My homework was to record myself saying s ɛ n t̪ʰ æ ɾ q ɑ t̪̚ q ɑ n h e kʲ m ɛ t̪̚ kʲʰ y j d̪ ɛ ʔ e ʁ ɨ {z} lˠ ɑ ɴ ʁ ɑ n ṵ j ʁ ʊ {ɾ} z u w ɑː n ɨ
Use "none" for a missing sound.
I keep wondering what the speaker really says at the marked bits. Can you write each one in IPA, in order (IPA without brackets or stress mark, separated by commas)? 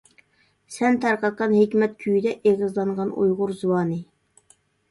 z, ɾ